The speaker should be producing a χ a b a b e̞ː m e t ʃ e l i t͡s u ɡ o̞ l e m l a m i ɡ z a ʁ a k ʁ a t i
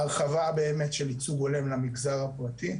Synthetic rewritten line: a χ a v a b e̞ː m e t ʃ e l i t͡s u ɡ o̞ l e m l a m i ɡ z a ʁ a p ʁ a t i